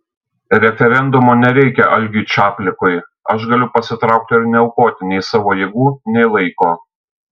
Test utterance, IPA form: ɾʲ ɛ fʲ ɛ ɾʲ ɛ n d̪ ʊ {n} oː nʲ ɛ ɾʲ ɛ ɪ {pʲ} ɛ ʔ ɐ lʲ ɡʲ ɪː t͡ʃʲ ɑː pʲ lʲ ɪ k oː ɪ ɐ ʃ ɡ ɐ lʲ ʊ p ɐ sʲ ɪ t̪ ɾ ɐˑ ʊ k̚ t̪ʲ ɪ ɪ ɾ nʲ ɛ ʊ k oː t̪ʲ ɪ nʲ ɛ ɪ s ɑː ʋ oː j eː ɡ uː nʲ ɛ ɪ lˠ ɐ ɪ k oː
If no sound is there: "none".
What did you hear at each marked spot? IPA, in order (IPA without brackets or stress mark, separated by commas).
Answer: m, kʲ